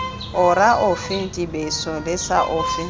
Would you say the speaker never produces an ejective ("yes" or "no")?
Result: no